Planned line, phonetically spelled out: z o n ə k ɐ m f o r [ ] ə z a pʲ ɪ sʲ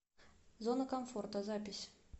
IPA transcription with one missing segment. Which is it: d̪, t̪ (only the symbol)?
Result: t̪